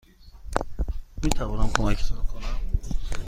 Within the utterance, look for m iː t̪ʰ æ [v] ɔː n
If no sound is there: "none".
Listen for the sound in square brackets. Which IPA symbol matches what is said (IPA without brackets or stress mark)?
v